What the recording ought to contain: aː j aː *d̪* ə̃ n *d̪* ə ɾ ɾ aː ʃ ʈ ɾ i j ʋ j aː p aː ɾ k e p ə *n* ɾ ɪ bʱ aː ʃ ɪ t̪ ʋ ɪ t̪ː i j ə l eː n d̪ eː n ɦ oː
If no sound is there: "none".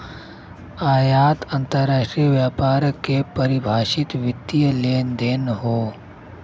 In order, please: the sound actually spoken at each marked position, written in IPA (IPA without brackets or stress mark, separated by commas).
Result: t̪, t̪, none